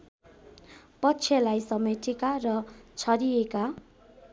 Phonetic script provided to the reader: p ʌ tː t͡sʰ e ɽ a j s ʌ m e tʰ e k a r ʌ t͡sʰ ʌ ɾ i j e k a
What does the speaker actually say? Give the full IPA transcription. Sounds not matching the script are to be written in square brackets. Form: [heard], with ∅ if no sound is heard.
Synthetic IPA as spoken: p ʌ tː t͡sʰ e [l] a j s ʌ m e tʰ e k a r ʌ t͡sʰ ʌ ɾ i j e k a